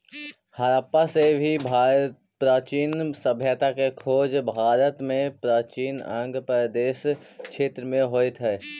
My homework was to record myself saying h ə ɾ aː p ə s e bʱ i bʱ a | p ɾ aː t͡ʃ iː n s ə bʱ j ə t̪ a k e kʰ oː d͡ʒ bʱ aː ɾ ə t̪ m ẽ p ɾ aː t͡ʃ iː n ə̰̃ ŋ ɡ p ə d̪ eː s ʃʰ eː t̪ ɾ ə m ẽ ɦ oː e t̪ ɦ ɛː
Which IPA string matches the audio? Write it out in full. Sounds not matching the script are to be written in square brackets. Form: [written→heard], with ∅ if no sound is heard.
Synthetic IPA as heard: h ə ɾ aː p [ə→a] s e bʱ i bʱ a | p ɾ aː t͡ʃ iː n s ə bʱ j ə t̪ a k e kʰ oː d͡ʒ bʱ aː ɾ ə t̪ m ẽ p ɾ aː t͡ʃ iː n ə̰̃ ŋ ɡ p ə d̪ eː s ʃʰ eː t̪ ɾ ə m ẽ ɦ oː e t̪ ɦ ɛː